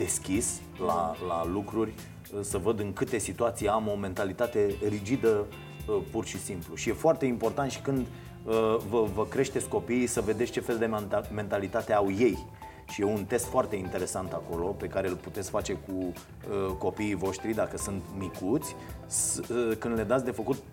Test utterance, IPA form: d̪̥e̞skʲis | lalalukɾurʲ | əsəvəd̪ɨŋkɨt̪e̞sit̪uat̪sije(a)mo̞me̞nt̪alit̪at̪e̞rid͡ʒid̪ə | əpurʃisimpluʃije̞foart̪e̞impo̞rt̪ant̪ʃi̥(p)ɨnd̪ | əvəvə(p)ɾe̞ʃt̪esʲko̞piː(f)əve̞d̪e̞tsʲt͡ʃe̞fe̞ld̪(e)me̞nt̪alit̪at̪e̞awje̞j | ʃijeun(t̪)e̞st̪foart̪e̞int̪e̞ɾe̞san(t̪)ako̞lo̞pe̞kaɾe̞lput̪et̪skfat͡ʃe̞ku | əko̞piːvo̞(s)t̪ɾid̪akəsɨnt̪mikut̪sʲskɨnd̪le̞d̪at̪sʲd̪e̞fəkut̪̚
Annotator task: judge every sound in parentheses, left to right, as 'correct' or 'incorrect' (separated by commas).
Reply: correct, incorrect, incorrect, incorrect, correct, correct, correct, incorrect